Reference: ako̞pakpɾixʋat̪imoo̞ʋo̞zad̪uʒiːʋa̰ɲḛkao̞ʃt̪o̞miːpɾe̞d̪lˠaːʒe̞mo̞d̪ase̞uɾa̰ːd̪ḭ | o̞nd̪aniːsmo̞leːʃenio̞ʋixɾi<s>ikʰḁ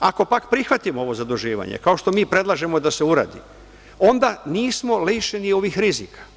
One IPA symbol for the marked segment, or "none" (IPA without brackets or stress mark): z